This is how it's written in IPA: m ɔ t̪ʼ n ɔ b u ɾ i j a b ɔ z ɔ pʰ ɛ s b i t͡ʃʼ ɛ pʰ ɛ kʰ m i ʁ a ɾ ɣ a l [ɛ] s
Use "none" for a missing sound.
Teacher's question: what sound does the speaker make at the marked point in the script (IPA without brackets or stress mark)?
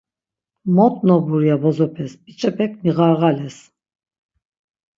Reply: ɛ